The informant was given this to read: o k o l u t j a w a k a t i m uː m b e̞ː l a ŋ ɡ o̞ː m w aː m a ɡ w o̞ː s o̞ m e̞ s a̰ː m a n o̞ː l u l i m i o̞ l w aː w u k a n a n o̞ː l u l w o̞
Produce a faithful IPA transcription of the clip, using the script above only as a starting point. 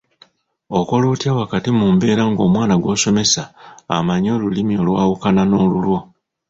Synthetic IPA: o k o l u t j a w a k a t i m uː m b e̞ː ɾ a ŋ ɡ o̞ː m w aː n a ɡ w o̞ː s o̞ m e̞ s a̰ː m a ɲ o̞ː l u l i m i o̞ l w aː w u k a n a n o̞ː l u l w o̞